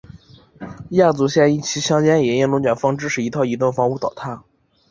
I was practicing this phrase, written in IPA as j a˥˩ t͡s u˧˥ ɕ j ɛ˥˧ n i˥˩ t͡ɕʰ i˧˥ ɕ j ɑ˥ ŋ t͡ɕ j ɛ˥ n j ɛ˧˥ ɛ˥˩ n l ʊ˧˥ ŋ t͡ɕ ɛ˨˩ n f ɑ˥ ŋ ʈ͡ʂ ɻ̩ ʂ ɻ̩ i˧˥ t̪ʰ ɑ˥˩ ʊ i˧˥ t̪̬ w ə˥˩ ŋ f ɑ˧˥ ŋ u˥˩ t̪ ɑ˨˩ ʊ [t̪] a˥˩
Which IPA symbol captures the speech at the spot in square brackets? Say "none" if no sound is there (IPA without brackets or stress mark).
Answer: t̪ʰ